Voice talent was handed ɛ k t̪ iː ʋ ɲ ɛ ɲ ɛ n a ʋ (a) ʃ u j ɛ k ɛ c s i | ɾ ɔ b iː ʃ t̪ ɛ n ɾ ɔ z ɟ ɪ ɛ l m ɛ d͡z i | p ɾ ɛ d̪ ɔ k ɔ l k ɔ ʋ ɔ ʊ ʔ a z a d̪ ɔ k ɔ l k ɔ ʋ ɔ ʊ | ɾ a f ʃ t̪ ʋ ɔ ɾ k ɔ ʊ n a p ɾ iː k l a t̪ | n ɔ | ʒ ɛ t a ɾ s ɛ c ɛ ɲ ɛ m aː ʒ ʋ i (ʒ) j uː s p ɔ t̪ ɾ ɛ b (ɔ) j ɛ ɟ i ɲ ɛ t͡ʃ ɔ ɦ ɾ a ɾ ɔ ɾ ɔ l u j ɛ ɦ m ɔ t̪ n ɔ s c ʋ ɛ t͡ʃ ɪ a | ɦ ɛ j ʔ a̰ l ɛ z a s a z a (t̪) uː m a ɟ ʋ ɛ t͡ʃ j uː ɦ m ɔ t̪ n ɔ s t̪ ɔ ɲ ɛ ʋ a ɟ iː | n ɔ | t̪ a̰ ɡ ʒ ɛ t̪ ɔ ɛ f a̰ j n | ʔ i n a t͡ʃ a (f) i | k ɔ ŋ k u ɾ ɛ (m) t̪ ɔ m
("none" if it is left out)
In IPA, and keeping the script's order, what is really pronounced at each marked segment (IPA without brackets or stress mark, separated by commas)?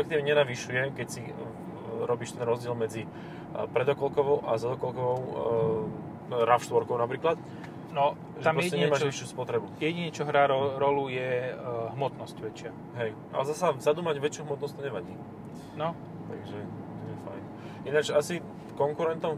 i, ʃ, u, d̪, s, n